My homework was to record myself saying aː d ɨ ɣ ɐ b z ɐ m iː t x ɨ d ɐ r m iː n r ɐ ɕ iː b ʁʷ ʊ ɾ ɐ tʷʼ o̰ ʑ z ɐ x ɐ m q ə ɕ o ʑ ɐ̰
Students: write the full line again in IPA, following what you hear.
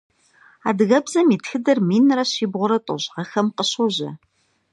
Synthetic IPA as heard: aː d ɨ ɣ ɐ b z ɐ m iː t x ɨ d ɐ r m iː n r ɐ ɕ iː b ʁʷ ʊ ɾ ɐ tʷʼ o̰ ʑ ʁ ɐ x ɐ m q ə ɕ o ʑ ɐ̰